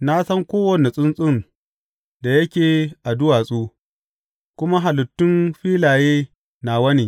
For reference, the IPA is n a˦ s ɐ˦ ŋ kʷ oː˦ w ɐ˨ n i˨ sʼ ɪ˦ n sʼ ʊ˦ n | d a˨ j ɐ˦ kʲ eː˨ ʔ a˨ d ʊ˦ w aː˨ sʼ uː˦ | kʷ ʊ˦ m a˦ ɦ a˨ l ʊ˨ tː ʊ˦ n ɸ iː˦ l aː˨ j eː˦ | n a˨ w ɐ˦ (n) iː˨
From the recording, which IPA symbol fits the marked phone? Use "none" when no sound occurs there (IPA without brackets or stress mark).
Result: n